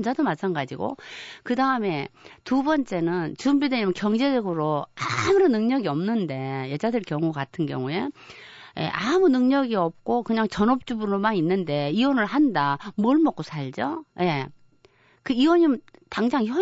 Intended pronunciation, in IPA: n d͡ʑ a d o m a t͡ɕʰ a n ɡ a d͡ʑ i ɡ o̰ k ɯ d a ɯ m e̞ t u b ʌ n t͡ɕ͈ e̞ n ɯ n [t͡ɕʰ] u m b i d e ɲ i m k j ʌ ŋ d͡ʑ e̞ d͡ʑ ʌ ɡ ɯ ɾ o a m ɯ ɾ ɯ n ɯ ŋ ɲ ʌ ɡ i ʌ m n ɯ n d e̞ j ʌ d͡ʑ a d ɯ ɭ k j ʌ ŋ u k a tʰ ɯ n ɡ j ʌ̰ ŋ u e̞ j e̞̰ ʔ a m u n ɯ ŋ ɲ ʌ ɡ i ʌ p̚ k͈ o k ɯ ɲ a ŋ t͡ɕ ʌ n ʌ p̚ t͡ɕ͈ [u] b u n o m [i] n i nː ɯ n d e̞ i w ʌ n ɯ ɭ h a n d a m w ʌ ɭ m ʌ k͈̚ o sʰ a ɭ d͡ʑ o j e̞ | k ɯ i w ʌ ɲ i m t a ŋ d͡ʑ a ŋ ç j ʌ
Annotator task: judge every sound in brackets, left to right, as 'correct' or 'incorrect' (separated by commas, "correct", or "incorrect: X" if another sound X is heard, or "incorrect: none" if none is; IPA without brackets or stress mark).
incorrect: t͡ɕ, correct, incorrect: a